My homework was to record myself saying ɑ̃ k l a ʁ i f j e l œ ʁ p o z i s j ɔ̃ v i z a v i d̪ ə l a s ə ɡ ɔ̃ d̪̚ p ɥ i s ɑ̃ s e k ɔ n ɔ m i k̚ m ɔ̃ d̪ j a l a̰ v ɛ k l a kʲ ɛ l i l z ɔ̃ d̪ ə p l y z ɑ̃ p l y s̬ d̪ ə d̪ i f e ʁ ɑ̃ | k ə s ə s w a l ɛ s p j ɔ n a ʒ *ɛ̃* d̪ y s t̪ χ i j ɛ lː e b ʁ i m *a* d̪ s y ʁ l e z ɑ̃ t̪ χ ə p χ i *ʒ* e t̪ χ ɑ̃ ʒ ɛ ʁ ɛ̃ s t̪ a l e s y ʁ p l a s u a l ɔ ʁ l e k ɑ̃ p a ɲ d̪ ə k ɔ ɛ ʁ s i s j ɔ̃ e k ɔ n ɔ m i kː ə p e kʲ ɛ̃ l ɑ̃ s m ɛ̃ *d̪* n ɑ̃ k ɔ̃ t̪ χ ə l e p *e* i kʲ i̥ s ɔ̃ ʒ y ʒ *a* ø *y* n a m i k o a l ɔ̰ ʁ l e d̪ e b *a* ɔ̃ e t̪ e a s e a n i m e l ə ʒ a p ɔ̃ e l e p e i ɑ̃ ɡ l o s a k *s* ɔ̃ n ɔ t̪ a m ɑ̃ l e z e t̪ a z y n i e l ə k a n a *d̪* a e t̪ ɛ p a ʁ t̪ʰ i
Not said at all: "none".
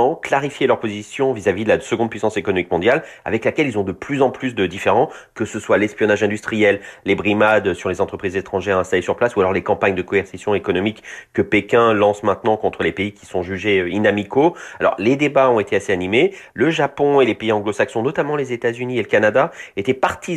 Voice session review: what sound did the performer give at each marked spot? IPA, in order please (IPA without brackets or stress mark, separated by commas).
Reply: ɛ̃, a, z, t̪, e, e, i, a, s, d̪